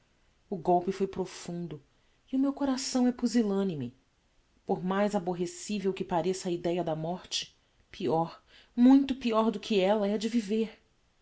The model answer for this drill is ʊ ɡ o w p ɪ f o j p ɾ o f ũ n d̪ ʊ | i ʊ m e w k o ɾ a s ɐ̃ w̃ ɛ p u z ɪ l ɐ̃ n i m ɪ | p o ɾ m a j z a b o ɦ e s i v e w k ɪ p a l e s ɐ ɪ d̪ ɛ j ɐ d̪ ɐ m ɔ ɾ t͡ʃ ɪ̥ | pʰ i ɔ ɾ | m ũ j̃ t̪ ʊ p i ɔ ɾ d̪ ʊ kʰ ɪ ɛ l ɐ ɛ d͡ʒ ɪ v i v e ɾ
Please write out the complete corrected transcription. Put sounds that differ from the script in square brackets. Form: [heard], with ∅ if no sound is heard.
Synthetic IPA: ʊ ɡ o w p ɪ f o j p ɾ o f ũ n d̪ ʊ | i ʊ m e w k o ɾ a s ɐ̃ w̃ ɛ p u z [i] l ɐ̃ n i m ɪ | p o ɾ m a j z a b o ɦ e s i v e w k ɪ p a [ɾ] e s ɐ [i] d̪ ɛ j ɐ d̪ ɐ m ɔ ɾ t͡ʃ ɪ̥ | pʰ i ɔ ɾ | m ũ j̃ t̪ ʊ p i ɔ ɾ d̪ ʊ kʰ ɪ ɛ l ɐ ɛ d͡ʒ ɪ v i v e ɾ